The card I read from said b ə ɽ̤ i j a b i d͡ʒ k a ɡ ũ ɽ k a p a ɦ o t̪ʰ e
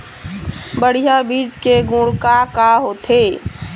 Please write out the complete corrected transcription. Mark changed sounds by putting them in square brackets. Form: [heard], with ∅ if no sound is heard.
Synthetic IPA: b ə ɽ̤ i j a b i d͡ʒ k [e] ɡ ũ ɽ k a [k] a ɦ o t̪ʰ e